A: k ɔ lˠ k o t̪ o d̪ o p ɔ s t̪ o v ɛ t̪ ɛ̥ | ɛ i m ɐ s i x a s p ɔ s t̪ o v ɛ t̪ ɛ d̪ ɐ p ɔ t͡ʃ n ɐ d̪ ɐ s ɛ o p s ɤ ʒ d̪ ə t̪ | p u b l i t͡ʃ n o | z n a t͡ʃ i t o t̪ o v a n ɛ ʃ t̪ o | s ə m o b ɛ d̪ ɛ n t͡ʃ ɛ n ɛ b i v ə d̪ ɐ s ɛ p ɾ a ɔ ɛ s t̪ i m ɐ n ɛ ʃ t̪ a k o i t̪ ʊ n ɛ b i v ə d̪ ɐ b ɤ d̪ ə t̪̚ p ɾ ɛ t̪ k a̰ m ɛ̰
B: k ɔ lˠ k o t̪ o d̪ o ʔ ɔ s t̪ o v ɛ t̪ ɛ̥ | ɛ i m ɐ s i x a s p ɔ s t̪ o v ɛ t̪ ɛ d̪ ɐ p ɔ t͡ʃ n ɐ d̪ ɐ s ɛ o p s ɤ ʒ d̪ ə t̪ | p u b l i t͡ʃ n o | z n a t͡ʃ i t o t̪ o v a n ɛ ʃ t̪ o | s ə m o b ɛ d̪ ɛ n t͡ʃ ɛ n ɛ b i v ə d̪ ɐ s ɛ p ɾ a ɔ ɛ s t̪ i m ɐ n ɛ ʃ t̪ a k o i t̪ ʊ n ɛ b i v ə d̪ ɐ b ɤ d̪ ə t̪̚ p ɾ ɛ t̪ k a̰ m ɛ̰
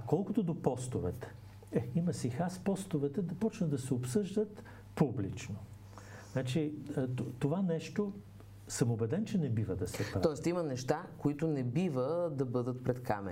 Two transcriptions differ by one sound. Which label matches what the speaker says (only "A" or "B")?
A